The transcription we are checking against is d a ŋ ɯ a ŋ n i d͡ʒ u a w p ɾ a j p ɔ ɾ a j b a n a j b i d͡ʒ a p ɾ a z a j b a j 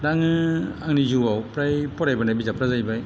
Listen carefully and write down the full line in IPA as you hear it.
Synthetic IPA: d a ŋ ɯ a ŋ n i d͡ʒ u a w p ɾ a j p ɔ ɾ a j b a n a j b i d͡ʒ a p ɾ a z a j b a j